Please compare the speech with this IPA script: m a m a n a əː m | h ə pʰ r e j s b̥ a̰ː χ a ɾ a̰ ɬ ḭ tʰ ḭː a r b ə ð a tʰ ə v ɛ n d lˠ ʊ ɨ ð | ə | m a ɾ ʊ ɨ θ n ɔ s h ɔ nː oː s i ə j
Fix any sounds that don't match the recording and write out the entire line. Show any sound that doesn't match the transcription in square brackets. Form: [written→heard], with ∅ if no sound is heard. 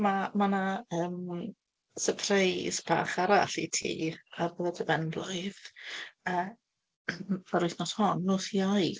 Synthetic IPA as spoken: m a m a n a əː m | [h→s] ə pʰ r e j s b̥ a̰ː χ a ɾ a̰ ɬ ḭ tʰ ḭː a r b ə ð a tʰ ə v ɛ n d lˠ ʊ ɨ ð | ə | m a ɾ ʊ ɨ θ n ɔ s h ɔ nː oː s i [ə→a] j